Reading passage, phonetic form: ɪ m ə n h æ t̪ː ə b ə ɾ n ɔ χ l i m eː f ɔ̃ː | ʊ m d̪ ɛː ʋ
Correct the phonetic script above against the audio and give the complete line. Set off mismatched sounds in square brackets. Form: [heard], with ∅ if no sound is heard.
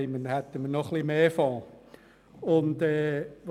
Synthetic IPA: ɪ m ə n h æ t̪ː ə [m] ə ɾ n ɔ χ l i m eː f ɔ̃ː | ʊ [n] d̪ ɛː ʋ